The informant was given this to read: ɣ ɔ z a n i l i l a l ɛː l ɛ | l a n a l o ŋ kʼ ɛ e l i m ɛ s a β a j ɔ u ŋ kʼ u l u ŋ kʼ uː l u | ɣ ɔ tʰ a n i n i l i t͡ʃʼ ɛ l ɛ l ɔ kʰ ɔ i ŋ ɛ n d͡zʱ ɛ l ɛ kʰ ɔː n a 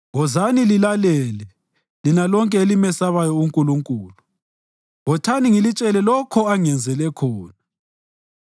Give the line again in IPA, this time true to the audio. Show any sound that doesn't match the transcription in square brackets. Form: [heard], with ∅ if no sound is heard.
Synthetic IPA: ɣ ɔ z a n i l i l a l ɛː l ɛ | l [i] n a l [ɔ] ŋ kʼ ɛ e l i m ɛ s a β a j ɔ u ŋ kʼ u l u ŋ kʼ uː l u | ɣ ɔ tʰ a n i [ŋ] i l i t͡ʃʼ ɛ l ɛ l ɔ kʰ ɔ [a] ŋ ɛ n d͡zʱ ɛ l ɛ kʰ ɔː n a